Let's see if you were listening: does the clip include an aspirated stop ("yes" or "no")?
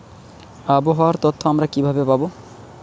yes